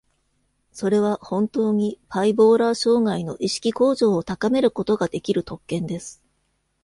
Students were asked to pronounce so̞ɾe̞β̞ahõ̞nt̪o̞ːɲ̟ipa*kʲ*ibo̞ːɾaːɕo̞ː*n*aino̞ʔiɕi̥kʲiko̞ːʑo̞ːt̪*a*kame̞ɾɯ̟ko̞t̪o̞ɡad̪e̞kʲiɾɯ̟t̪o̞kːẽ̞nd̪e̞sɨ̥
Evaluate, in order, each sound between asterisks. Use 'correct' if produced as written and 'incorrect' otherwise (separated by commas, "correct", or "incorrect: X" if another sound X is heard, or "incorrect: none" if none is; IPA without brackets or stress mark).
incorrect: none, incorrect: ŋ, correct